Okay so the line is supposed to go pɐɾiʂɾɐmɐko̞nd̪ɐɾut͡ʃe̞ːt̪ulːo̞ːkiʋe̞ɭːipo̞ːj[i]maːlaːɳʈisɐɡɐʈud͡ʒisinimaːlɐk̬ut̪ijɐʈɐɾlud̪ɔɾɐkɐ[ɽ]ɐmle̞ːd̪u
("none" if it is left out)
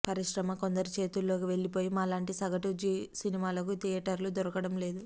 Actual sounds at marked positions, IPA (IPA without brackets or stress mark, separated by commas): i, ɽ